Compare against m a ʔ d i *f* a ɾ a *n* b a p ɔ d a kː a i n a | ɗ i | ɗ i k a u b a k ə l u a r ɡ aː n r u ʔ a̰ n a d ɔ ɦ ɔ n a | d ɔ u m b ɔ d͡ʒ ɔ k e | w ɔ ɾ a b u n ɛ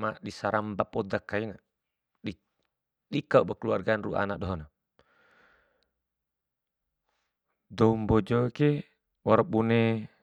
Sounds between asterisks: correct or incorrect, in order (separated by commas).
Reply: incorrect, incorrect